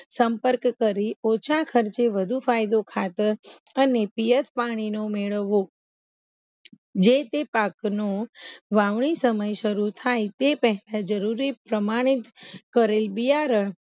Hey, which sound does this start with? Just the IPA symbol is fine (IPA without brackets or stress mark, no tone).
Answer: s